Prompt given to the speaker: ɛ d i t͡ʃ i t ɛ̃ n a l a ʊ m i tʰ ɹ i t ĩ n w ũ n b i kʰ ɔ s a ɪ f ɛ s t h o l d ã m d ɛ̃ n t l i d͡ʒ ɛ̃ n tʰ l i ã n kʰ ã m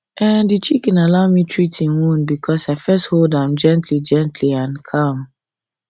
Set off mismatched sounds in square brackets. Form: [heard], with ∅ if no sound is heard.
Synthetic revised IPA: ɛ d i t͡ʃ i [k] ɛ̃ n a l a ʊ m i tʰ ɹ i t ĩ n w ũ n b i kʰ ɔ s a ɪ f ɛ s t h o l d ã m [d͡ʒ] ɛ̃ n t l i d͡ʒ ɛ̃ n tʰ l i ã n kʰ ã m